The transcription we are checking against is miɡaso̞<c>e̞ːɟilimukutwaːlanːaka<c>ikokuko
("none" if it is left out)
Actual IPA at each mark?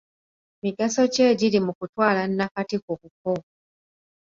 c, t

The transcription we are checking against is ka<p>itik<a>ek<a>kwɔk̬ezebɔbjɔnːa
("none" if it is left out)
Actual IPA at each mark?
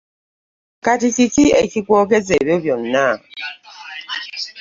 t, i, i

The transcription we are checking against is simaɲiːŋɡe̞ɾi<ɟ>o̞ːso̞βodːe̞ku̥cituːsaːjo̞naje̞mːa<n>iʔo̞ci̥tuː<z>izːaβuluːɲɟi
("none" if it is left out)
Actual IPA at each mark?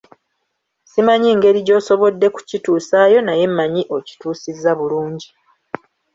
ɟ, ɲ, s

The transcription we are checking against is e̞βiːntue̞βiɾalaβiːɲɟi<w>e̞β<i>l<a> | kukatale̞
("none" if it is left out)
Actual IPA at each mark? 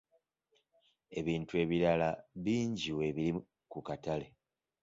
w, i, i

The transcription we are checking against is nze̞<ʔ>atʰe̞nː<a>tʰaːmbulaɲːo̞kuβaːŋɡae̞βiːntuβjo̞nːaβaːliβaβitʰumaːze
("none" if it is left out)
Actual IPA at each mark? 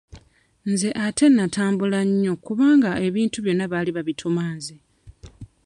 ʔ, a

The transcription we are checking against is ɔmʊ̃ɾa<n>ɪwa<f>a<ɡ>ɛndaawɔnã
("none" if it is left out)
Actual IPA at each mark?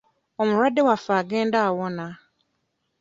d, f, ɡ

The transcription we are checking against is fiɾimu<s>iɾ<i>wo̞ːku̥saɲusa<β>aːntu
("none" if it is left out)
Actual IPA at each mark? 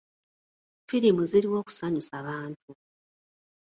z, i, β

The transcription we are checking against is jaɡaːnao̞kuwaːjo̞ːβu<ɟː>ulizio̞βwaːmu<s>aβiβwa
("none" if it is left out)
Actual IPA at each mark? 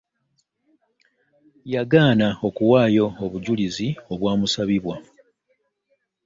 ɟ, s

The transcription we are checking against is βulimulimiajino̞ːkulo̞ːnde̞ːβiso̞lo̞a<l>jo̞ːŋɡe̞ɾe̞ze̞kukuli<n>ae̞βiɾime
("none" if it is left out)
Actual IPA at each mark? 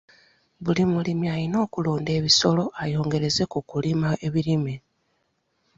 none, m

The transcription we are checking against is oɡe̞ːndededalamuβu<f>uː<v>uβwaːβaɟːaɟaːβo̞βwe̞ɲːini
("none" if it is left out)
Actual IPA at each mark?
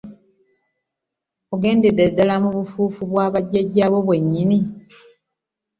f, f

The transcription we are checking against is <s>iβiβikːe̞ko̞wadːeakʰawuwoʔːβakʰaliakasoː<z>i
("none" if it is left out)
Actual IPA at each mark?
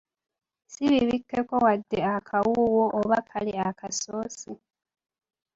s, s

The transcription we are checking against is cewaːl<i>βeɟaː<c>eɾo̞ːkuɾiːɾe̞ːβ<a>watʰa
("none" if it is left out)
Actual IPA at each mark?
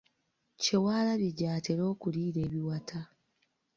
a, t, i

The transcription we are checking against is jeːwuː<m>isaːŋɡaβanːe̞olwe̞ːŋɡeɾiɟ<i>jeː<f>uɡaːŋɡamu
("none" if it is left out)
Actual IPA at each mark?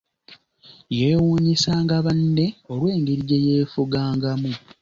ɲ, e, f

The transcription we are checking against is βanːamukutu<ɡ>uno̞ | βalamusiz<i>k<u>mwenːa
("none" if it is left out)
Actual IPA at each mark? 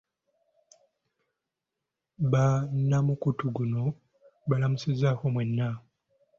ɡ, a, o

